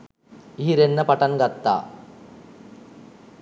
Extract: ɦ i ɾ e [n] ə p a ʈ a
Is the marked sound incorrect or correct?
incorrect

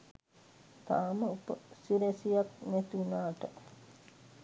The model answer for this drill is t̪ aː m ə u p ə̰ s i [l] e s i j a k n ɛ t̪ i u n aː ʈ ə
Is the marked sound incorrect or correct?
incorrect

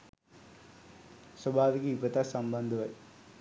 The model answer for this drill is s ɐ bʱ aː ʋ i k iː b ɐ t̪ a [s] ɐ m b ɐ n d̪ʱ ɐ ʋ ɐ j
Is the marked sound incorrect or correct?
correct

